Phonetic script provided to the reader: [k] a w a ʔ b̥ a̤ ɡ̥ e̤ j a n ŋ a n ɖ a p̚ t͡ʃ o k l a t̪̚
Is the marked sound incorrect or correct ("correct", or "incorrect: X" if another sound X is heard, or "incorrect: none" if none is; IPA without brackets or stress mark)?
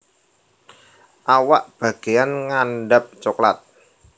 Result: incorrect: ʔ